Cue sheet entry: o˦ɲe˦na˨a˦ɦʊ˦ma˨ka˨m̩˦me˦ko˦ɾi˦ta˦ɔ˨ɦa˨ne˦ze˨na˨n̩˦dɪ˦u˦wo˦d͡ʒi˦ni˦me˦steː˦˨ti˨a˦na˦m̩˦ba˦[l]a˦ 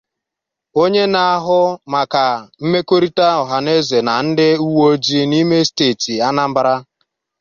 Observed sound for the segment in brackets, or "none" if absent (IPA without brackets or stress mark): ɾ